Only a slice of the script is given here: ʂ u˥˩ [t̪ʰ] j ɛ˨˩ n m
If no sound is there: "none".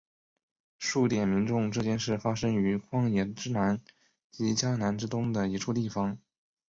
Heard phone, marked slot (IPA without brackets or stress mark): t̪